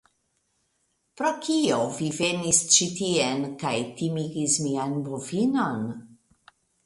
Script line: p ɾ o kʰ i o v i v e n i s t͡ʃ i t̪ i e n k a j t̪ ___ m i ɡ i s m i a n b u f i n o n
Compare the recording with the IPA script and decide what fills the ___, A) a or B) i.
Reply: B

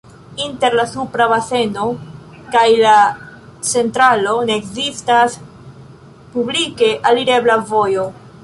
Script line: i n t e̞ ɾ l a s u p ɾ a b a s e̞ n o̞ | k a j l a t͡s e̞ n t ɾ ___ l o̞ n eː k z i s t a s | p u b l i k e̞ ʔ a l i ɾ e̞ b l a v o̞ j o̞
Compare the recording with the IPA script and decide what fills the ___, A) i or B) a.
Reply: B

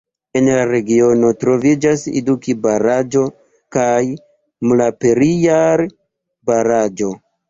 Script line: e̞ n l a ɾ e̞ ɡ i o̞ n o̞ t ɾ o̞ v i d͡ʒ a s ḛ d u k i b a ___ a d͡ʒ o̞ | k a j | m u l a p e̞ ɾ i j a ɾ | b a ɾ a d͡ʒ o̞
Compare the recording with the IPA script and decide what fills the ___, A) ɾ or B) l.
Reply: A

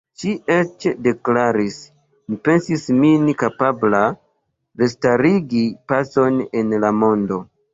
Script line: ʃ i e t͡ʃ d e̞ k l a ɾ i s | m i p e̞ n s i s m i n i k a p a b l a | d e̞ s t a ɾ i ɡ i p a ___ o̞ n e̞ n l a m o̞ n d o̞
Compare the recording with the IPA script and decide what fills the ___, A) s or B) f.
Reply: A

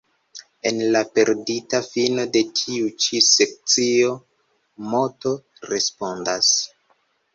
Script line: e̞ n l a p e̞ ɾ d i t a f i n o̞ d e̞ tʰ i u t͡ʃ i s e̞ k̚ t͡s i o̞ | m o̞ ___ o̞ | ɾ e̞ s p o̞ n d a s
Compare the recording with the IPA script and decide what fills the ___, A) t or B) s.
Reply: A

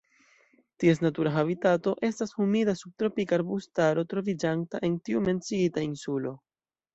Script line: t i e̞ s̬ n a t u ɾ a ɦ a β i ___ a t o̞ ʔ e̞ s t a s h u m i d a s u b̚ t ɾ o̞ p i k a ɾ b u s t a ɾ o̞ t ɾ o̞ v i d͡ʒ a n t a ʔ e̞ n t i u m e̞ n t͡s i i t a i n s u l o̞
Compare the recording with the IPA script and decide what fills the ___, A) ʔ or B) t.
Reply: B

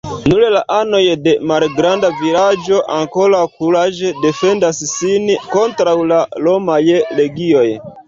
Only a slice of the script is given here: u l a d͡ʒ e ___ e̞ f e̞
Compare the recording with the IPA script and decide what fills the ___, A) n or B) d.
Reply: B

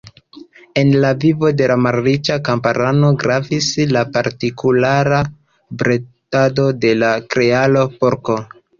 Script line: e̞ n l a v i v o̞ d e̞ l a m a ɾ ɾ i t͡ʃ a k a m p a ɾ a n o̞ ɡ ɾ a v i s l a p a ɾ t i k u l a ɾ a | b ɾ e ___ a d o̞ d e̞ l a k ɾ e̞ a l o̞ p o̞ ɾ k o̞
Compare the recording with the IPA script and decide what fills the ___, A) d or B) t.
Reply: B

